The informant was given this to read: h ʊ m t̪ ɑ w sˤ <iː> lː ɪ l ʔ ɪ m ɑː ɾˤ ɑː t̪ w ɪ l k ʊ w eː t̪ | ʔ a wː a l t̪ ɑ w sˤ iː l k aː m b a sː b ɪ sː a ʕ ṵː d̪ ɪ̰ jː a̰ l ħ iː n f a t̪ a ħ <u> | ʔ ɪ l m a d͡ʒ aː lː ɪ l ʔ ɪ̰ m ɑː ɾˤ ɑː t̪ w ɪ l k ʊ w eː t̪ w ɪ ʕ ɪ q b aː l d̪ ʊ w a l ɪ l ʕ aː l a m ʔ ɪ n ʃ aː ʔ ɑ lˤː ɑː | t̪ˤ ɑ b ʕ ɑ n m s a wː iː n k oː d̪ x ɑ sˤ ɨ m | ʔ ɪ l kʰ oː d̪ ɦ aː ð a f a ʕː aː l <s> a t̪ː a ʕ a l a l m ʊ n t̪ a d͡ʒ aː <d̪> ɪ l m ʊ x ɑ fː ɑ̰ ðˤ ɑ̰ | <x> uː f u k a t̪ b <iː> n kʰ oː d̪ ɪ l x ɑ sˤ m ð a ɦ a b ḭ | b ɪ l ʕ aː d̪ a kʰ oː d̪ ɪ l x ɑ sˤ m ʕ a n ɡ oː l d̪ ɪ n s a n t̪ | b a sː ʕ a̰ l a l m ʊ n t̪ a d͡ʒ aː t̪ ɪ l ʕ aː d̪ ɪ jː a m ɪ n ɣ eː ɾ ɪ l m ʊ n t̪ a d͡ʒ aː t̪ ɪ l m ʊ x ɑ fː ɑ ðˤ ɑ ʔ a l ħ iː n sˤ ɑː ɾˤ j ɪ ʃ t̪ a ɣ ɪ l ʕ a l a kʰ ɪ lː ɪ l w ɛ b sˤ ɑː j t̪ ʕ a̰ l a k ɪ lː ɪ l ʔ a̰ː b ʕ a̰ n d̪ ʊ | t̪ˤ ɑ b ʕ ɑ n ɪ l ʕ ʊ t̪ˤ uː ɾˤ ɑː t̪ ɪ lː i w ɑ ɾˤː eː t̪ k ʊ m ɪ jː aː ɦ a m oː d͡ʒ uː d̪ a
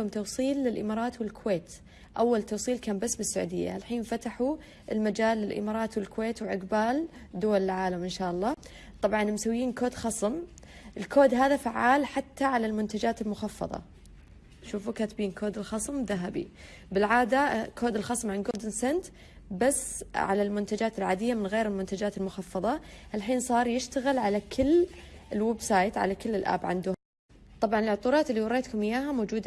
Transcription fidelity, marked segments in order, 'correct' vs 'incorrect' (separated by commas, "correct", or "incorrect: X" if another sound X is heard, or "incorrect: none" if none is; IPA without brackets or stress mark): correct, correct, incorrect: ħ, incorrect: t̪, incorrect: ʃ, correct